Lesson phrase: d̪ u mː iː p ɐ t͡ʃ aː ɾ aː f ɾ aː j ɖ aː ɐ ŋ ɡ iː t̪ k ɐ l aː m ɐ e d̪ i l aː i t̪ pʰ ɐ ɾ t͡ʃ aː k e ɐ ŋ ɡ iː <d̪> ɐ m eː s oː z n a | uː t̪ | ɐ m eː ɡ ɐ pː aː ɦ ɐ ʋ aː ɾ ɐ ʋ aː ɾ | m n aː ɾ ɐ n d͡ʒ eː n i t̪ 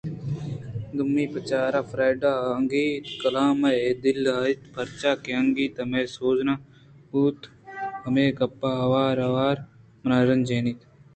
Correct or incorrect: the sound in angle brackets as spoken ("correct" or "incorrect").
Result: incorrect